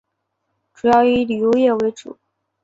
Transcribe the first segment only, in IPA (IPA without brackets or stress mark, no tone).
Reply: ʈ͡ʂ